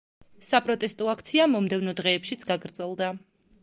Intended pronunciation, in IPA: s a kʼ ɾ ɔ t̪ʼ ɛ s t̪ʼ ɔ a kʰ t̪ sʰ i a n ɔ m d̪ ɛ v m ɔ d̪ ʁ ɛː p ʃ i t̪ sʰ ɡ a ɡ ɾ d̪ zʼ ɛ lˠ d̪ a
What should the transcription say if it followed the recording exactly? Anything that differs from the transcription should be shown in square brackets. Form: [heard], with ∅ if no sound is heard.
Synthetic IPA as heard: s a [pʼ] ɾ ɔ t̪ʼ ɛ s t̪ʼ ɔ a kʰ t̪ sʰ i a [m] ɔ m d̪ ɛ v [n] ɔ d̪ ʁ ɛː p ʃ i t̪ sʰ ɡ a ɡ ɾ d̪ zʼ ɛ lˠ d̪ a